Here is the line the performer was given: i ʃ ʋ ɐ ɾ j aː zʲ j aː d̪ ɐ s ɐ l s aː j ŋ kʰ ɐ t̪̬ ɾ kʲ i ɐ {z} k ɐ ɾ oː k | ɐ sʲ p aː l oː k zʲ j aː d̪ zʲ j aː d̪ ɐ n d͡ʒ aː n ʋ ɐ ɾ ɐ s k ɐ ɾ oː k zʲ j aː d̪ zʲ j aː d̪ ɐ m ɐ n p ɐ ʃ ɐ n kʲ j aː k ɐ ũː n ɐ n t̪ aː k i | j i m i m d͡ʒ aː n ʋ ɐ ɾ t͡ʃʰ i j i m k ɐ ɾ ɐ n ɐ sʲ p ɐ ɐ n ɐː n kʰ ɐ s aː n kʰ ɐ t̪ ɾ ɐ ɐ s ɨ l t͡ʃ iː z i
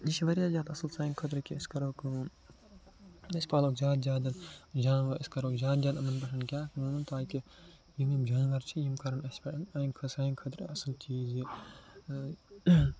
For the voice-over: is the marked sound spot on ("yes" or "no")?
no